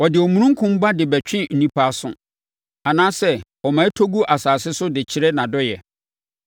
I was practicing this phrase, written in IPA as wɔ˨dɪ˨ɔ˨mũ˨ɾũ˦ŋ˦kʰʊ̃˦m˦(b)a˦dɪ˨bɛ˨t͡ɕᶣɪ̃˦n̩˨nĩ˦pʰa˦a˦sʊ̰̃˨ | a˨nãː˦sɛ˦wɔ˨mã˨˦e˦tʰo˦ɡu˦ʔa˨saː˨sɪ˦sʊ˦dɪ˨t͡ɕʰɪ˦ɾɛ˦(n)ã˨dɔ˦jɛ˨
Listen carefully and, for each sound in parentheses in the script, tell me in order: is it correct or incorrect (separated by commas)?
correct, correct